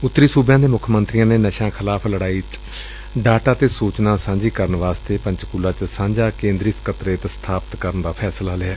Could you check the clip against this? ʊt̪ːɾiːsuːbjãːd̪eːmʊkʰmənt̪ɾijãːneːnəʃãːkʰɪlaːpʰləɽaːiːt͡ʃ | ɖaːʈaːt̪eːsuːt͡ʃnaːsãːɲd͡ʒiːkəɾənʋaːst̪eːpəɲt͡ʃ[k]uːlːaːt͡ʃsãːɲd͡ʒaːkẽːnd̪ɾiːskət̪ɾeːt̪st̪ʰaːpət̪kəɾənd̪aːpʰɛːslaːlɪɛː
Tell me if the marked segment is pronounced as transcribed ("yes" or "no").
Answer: yes